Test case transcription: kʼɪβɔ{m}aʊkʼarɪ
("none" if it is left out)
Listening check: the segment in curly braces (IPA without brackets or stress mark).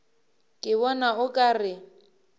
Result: n